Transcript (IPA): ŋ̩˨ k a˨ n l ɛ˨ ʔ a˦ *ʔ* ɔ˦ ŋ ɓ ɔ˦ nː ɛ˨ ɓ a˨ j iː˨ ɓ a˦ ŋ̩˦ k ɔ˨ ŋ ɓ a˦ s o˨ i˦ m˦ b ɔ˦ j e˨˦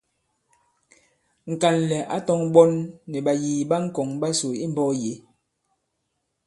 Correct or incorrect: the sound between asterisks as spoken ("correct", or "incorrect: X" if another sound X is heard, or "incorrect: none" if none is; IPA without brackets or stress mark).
incorrect: t